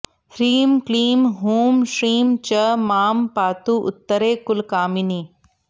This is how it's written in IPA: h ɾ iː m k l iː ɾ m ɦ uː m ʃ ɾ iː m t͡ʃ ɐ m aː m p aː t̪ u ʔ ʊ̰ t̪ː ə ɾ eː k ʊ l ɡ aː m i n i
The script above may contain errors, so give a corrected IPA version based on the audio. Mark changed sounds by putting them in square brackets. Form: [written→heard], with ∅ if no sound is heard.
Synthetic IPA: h ɾ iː m k l iː [ɾ→∅] m ɦ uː m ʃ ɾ iː m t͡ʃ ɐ m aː m p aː t̪ u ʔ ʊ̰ t̪ː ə ɾ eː k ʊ l [ɡ→k] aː m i n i

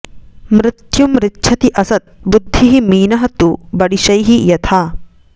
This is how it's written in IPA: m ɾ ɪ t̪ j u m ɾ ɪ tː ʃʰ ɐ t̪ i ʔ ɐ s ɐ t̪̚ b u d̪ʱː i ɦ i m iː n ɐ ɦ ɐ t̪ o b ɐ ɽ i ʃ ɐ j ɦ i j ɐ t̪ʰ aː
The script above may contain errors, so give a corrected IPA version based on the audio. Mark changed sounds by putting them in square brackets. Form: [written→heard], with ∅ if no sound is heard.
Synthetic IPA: m ɾ ɪ t̪ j u m ɾ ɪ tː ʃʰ ɐ t̪ i ʔ ɐ s ɐ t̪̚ b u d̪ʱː i ɦ i m iː n ɐ ɦ ɐ t̪ [o→u] b ɐ ɽ i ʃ ɐ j ɦ i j ɐ t̪ʰ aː

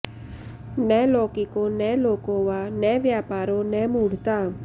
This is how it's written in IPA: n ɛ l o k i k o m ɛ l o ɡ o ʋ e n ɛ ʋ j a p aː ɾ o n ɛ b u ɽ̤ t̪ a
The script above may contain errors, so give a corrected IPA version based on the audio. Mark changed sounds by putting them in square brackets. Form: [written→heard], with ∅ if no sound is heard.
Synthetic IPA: n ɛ l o k i k o [m→n] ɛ l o [ɡ→k] o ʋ [e→a] n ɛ ʋ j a p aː ɾ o n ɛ [b→m] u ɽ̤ t̪ a

